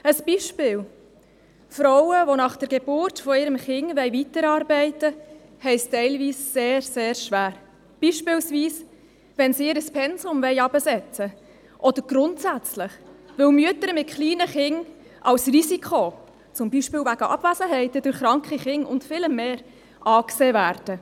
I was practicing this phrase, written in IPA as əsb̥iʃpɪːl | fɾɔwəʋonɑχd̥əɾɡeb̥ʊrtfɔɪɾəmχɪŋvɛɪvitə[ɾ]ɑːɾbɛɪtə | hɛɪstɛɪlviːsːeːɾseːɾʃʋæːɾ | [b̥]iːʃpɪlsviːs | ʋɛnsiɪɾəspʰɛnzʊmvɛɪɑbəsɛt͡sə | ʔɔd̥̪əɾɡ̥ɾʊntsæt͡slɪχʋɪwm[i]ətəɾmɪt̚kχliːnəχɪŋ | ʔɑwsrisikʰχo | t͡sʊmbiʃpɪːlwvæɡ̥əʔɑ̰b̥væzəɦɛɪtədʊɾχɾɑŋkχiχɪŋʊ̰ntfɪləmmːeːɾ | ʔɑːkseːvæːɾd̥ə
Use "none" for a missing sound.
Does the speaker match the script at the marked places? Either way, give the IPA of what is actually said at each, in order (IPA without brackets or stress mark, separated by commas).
ɾ, b̥, y